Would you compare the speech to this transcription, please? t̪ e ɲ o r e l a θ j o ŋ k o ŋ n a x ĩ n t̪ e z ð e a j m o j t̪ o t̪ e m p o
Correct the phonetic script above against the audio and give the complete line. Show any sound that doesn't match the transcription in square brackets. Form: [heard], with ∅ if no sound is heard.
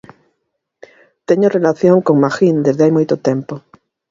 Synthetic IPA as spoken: t̪ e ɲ o r e l a θ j o ŋ k o ŋ [m] a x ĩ n [d̪] e z ð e a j m o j t̪ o t̪ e m p o